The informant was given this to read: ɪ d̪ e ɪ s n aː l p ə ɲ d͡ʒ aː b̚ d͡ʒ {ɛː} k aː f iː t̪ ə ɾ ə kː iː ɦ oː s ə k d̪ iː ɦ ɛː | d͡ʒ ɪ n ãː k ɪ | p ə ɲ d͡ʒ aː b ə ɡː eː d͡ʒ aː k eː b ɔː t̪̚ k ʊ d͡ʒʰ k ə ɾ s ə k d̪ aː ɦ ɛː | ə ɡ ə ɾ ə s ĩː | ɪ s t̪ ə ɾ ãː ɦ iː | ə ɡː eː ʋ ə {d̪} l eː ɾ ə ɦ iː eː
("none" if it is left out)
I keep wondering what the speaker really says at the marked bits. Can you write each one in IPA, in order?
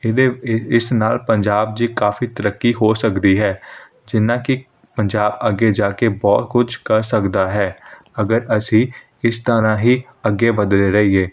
iː, d̪

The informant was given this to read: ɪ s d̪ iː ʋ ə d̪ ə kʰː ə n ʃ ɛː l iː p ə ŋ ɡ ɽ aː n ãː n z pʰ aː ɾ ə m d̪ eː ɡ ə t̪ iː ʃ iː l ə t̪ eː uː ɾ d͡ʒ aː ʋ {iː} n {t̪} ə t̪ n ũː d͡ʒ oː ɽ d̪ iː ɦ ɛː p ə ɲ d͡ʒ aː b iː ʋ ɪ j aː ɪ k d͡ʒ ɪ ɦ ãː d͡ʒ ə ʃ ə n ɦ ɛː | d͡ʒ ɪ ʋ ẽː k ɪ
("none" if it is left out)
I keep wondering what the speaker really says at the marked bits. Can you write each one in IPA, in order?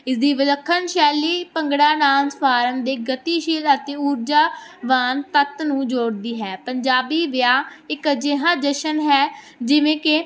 aː, t̪

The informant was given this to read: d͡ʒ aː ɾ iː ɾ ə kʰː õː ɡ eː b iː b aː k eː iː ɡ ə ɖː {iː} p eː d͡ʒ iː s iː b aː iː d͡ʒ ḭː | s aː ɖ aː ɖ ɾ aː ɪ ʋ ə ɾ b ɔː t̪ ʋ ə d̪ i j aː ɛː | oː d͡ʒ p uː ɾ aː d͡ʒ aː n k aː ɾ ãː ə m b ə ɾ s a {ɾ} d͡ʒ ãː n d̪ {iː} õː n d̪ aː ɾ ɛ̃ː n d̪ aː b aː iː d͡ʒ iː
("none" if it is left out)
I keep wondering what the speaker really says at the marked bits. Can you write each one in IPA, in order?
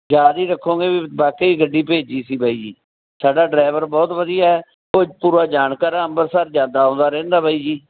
iː, ɾ, aː

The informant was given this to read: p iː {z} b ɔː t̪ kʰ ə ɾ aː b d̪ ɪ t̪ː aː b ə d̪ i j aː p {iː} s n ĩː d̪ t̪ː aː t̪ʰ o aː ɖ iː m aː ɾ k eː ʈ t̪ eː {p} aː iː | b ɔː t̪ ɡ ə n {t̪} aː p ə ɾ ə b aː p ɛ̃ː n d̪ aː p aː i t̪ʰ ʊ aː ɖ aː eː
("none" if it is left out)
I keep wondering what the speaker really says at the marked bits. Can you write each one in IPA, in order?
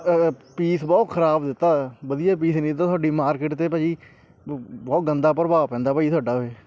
s, iː, p, d̪

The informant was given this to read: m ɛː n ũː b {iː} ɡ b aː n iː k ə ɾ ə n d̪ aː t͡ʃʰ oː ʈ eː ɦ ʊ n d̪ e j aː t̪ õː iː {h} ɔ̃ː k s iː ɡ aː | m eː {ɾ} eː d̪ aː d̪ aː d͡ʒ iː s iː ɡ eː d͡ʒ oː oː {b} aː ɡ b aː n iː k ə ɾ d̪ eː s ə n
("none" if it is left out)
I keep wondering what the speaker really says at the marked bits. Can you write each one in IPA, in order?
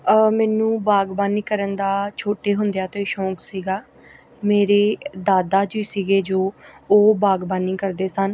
aː, ʃ, ɾ, b

